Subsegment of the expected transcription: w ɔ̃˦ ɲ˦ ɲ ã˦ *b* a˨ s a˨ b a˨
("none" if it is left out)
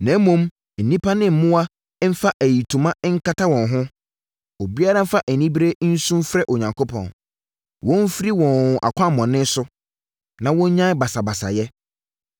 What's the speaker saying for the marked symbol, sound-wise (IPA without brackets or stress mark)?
b